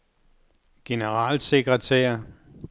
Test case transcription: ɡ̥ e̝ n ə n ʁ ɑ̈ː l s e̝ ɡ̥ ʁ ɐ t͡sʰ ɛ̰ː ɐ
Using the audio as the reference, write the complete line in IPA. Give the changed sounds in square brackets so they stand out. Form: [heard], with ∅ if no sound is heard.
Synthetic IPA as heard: ɡ̥ e̝ n ə [∅] ʁ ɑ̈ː l s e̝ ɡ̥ ʁ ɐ t͡sʰ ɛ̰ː ɐ